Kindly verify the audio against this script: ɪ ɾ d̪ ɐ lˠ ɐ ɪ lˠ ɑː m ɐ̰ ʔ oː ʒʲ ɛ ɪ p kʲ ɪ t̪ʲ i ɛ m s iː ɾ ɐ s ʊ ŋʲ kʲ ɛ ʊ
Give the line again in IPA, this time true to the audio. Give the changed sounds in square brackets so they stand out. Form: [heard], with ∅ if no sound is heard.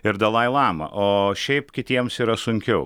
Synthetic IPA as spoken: ɪ ɾ d̪ ɐ lˠ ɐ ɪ lˠ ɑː m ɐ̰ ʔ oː [ʃʲ] ɛ ɪ p kʲ ɪ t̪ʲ i ɛ m s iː ɾ ɐ s ʊ ŋʲ kʲ ɛ ʊ